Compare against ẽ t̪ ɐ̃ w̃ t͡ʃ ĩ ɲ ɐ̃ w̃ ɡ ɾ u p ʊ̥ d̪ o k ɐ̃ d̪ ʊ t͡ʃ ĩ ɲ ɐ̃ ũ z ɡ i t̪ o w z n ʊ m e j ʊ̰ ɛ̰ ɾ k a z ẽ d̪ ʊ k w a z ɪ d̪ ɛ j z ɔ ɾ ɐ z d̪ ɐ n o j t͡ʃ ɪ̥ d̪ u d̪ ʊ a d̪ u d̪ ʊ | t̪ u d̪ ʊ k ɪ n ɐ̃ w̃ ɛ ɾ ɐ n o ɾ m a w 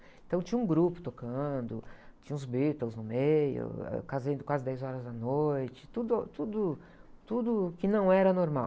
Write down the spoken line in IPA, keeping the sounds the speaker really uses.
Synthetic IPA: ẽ t̪ ɐ̃ w̃ t͡ʃ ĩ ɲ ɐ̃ ũ ɡ ɾ u p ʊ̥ t̪ o k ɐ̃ d̪ ʊ t͡ʃ ĩ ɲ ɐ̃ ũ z b i t̪ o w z n ʊ m e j ʊ̰ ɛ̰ k a z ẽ d̪ ʊ k w a z ɪ d̪ ɛ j z ɔ ɾ ɐ z d̪ ɐ n o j t͡ʃ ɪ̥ t̪ u d̪ ʊ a t̪ u d̪ ʊ | t̪ u d̪ ʊ k ɪ n ɐ̃ w̃ ɛ ɾ ɐ n o ɾ m a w